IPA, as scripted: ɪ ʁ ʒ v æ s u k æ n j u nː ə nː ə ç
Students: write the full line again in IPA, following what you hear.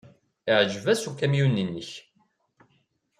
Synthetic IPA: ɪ ʕ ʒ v æ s u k æ m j u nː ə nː ə ç

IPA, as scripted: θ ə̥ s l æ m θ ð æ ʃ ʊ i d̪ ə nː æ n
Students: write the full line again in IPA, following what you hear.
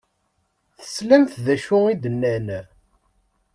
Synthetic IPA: θ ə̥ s l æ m θ ð æ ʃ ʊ i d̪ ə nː æ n

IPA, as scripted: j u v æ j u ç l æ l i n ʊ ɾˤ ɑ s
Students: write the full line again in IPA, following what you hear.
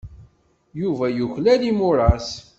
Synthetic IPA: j u v æ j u ç l æ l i m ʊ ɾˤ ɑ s

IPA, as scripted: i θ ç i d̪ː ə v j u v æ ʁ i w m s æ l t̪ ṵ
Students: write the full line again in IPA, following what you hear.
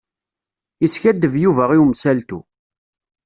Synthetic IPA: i s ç æ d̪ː ə v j u v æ ʁ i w m s æ l t̪ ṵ

